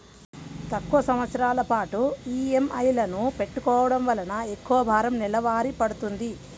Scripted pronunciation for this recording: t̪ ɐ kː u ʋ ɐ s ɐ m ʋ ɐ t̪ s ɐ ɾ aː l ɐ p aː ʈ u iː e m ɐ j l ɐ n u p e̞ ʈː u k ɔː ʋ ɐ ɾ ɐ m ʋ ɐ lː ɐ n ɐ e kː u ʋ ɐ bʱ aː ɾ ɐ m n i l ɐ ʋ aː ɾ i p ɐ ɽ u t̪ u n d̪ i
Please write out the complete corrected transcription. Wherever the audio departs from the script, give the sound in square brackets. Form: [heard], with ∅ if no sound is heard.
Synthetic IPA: t̪ ɐ kː u ʋ ɐ s ɐ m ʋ ɐ t̪ s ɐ ɾ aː l ɐ p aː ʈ u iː e m ɐ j l ɐ n u p e̞ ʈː u k ɔː ʋ ɐ [ɽ] ɐ m ʋ ɐ [l] ɐ n ɐ e kː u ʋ ɐ bʱ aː ɾ ɐ m n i l ɐ ʋ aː ɾ i p ɐ ɽ u t̪ u n d̪ i

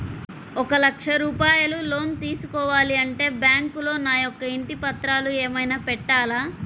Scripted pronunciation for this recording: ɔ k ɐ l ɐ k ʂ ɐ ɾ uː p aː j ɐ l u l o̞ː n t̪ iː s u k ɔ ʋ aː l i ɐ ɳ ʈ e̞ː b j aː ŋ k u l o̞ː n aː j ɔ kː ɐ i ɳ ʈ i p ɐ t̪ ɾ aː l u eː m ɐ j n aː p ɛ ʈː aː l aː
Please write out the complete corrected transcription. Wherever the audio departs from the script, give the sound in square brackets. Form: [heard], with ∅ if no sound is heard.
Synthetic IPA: ɔ k ɐ l ɐ k ʂ ɐ ɾ uː p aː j ɐ l u l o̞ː n t̪ iː s u k [ɔː] ʋ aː l i ɐ ɳ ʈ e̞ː b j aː ŋ k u l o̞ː n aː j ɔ kː ɐ i ɳ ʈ i p ɐ t̪ ɾ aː l u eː m ɐ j n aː p ɛ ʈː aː l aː

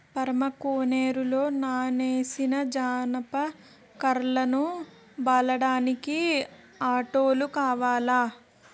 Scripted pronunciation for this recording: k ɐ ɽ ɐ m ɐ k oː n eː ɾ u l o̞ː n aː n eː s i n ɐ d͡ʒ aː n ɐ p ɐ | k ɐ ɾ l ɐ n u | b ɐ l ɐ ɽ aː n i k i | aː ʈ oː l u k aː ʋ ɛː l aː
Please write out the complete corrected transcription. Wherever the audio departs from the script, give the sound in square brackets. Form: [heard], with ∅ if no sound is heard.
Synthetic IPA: [p] ɐ [ɾ] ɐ m ɐ k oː n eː ɾ u l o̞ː n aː n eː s i n ɐ d͡ʒ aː n ɐ p ɐ | k ɐ ɾ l ɐ n u | b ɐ l ɐ ɽ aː n i k i | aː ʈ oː l u k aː ʋ [aː] l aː

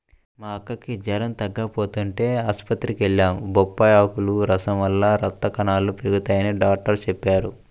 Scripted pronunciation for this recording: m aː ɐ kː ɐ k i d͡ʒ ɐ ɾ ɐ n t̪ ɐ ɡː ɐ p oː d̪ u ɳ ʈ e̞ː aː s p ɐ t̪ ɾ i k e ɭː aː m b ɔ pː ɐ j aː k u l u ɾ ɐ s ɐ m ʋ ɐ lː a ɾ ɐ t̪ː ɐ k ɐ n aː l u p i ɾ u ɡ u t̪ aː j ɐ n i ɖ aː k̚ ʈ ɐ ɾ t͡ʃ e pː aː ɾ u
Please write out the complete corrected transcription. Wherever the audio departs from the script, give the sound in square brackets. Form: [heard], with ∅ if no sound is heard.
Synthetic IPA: m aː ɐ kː ɐ k i d͡ʒ ɐ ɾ ɐ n t̪ ɐ ɡː ɐ p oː [t̪] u ɳ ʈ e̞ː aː s p ɐ t̪ ɾ i k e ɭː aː m b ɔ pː ɐ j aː k u l u ɾ ɐ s ɐ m ʋ ɐ lː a ɾ ɐ t̪ː ɐ k ɐ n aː l u p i ɾ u ɡ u t̪ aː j ɐ n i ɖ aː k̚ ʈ ɐ ɾ t͡ʃ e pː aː ɾ u

